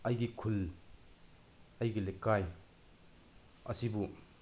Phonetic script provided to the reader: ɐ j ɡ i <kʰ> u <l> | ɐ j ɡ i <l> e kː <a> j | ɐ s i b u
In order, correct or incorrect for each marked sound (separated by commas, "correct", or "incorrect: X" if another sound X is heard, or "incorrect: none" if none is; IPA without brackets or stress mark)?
correct, correct, correct, correct